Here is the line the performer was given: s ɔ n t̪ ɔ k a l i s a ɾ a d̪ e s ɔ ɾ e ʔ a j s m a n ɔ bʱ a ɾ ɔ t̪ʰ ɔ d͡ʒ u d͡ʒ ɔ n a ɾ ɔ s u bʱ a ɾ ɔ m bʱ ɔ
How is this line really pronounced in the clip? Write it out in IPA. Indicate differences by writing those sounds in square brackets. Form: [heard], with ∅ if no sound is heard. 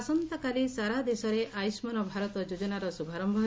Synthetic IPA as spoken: s ɔ n t̪ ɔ k a l i s a ɾ a d̪ e s ɔ ɾ e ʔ a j s m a n ɔ bʱ a ɾ ɔ [t̪] ɔ d͡ʒ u d͡ʒ ɔ n a ɾ ɔ s u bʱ a ɾ ɔ m bʱ ɔ